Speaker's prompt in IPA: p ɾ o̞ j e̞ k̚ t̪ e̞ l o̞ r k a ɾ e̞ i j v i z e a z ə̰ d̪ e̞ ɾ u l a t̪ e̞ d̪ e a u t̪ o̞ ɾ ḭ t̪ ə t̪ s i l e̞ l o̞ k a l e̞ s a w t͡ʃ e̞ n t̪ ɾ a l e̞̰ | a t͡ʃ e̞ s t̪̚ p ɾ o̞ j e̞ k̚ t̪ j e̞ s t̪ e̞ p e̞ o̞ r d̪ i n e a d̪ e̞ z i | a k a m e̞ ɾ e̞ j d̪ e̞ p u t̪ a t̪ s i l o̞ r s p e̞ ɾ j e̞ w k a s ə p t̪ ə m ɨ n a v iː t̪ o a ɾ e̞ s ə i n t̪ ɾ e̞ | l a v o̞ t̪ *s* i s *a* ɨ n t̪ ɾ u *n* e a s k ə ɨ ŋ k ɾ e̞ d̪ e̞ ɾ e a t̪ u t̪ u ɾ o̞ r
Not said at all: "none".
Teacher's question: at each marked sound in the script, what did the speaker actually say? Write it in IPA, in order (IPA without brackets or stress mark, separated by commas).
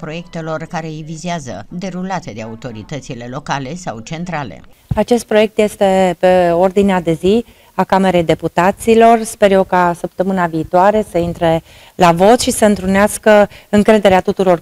ʃ, ə, n